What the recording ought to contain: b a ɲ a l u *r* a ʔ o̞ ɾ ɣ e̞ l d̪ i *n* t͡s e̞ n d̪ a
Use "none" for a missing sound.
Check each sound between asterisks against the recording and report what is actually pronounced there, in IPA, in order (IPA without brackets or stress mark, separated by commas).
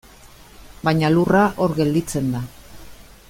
r, none